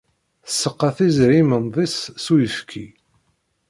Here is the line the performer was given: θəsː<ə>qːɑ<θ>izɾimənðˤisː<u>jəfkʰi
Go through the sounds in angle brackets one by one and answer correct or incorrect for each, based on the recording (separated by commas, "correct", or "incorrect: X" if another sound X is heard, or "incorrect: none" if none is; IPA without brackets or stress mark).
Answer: correct, correct, correct